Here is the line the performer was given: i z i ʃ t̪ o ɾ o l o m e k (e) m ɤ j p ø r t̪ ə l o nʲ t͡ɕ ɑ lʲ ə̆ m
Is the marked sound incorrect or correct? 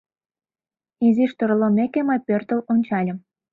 correct